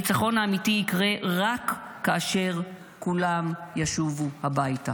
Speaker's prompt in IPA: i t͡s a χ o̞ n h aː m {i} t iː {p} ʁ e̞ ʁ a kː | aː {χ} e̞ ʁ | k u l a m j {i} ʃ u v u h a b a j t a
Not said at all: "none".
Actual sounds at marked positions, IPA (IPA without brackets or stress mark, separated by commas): i, k, ʃ, a